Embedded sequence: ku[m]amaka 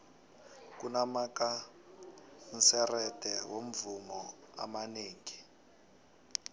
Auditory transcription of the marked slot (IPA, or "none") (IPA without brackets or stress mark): n